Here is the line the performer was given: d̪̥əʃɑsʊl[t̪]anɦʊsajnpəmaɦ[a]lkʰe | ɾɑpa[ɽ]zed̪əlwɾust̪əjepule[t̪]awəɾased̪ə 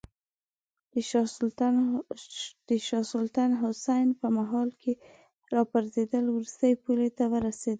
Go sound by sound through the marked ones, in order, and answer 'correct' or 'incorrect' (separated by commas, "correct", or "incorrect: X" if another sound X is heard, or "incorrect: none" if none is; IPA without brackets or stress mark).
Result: correct, incorrect: ɑ, incorrect: ɾ, correct